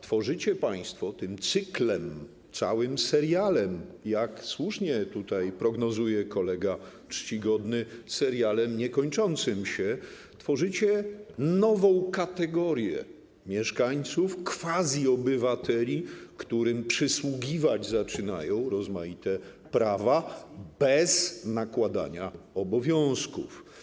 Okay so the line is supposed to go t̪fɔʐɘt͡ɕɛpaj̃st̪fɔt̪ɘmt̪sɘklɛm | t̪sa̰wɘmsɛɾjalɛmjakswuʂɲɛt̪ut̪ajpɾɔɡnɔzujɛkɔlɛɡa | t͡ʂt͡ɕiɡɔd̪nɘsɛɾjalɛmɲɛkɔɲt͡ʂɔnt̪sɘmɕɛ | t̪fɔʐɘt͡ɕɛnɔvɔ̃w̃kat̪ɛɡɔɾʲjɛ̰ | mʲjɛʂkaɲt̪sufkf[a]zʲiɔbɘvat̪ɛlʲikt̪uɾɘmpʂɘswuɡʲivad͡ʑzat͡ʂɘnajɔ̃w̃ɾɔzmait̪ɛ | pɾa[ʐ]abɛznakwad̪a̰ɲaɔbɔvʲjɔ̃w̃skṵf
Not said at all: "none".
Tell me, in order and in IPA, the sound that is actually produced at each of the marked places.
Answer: a, v

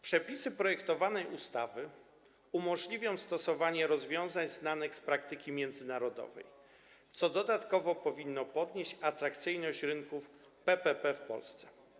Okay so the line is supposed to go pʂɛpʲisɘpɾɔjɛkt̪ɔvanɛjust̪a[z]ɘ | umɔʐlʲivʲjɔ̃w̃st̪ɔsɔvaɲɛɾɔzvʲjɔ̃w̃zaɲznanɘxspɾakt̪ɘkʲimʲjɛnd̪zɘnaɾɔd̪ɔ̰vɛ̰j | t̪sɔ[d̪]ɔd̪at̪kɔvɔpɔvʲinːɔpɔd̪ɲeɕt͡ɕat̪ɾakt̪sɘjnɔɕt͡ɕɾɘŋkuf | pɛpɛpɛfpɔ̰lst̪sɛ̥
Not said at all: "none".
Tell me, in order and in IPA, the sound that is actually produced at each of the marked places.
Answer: v, d̪

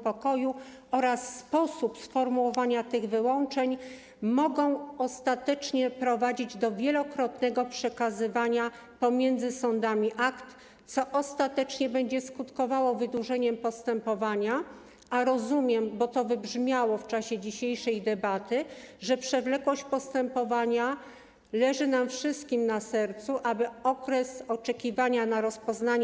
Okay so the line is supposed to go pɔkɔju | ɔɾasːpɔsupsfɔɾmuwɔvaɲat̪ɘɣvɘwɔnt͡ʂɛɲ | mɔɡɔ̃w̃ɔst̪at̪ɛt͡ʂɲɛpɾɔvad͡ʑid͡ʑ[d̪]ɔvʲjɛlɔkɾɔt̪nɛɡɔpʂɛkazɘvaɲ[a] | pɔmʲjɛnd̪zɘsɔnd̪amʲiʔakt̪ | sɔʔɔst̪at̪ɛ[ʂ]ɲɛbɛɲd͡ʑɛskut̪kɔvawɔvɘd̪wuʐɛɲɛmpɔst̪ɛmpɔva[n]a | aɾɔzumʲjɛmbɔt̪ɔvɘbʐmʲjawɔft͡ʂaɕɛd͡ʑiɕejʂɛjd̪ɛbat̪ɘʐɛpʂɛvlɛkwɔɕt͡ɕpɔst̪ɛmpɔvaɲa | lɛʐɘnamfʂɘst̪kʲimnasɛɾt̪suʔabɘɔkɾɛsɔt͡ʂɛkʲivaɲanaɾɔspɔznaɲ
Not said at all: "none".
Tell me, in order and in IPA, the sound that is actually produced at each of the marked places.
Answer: d̪, a, t͡ʂ, ɲ

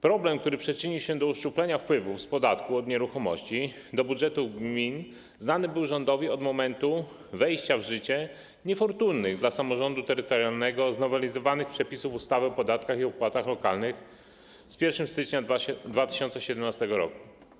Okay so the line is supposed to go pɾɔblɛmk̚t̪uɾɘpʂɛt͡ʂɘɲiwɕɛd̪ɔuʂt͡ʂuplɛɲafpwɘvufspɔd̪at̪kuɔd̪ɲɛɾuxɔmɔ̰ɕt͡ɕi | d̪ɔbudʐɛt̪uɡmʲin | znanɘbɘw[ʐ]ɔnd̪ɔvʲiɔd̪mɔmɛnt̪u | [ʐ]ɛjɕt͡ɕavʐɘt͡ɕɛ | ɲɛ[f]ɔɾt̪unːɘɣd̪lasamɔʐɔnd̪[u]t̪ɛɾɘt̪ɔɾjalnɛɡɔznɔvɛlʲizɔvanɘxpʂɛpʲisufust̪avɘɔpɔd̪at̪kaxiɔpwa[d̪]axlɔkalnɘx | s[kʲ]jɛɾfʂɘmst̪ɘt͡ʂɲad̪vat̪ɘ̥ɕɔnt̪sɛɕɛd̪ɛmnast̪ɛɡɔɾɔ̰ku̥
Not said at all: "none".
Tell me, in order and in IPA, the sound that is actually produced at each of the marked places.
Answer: ʐ, v, f, u, t̪, pʲ

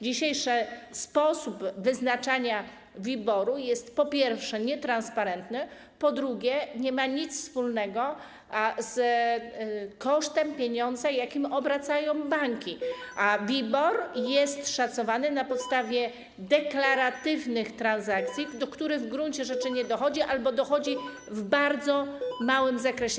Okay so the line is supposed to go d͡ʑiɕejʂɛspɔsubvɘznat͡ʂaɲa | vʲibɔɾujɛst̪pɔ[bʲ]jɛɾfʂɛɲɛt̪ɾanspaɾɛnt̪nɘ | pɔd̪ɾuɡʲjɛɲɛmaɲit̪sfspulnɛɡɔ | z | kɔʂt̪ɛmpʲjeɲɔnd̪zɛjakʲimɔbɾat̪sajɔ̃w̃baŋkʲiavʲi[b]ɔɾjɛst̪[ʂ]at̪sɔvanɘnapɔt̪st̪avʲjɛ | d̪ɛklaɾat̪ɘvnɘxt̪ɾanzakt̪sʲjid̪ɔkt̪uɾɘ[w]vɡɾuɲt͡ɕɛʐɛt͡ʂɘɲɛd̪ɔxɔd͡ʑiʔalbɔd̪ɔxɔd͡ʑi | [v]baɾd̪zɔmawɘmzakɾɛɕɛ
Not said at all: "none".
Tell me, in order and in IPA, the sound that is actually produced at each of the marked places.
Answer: pʲ, b, ʂ, ɣ, v

